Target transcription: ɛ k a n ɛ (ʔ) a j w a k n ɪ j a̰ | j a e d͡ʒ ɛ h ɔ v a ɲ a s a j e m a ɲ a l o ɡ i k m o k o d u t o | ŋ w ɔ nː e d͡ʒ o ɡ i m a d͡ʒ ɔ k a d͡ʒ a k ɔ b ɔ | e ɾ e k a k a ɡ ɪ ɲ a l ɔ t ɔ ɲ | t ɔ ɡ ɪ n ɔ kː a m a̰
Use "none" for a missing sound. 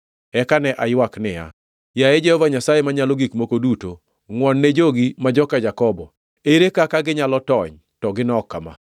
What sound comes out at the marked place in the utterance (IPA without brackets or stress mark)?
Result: ʔ